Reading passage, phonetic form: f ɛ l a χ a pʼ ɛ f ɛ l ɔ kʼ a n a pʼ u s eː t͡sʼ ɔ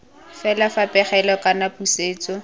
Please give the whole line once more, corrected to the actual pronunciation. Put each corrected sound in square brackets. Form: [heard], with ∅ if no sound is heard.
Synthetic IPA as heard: f ɛ l a [f] a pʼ ɛ [χ] ɛ l ɔ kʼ a n a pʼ u s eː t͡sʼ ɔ